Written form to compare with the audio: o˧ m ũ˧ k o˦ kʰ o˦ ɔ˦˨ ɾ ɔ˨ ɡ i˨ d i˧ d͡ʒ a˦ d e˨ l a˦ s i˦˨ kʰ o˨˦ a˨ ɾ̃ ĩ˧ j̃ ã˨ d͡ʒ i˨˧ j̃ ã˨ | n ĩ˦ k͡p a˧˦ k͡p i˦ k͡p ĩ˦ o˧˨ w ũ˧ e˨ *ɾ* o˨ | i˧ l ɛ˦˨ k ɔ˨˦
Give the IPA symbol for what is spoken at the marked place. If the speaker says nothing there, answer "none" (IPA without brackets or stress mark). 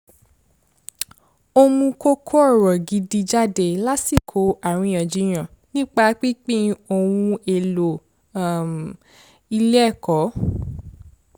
l